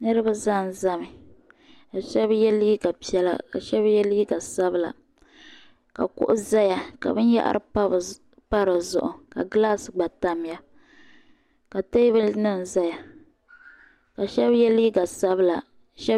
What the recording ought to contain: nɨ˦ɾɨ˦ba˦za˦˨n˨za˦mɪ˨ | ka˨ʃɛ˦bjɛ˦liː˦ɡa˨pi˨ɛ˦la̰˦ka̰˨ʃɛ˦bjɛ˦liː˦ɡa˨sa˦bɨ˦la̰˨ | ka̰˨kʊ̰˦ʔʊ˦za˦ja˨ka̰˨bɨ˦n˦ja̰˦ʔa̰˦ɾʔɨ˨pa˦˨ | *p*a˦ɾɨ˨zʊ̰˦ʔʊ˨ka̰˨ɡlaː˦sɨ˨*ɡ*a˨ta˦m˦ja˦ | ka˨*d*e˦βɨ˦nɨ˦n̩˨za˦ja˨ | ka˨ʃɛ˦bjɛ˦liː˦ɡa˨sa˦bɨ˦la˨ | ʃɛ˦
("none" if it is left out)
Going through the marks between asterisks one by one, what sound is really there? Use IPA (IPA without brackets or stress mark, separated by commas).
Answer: p, ɡ͡b, t